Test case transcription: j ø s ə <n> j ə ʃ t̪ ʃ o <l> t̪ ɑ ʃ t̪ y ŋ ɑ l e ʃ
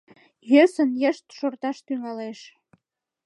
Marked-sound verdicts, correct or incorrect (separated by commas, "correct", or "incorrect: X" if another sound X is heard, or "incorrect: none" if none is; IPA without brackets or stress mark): correct, incorrect: r